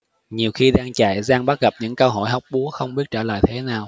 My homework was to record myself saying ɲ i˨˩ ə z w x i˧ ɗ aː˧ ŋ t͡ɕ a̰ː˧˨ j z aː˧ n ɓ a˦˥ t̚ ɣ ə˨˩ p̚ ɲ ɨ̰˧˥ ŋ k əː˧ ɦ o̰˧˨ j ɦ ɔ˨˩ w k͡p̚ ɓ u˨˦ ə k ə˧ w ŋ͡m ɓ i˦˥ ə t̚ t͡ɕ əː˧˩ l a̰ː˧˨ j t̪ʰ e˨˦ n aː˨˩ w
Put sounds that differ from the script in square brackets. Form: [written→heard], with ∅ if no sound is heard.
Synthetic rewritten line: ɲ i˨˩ ə [z→∅] w x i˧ ɗ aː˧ ŋ t͡ɕ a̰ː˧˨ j z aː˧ [n→ŋ] ɓ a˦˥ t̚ ɣ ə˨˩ p̚ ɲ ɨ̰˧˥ ŋ k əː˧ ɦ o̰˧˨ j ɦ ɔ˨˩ w k͡p̚ ɓ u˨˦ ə [k→x] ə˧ w ŋ͡m ɓ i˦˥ ə t̚ t͡ɕ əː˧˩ l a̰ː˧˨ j t̪ʰ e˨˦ n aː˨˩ w